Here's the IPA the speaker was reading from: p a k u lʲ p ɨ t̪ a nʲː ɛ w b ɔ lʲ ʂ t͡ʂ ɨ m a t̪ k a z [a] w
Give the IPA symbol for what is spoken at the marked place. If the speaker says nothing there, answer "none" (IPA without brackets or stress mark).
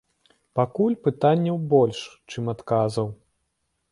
ɐ